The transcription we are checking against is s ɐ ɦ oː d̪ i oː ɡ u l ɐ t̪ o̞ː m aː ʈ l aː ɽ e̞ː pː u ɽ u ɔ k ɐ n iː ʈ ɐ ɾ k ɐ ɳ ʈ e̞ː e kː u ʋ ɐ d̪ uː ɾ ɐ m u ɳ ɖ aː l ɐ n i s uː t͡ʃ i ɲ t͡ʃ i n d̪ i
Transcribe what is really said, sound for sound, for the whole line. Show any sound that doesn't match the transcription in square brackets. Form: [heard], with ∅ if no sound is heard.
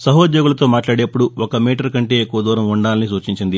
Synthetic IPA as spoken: s ɐ ɦ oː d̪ [j] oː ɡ u l ɐ t̪ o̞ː m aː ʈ l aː ɽ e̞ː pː u ɽ u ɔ k ɐ [m] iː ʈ ɐ ɾ k ɐ ɳ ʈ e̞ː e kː u ʋ ɐ d̪ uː ɾ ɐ m u ɳ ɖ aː l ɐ n i s uː t͡ʃ i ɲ t͡ʃ i n d̪ i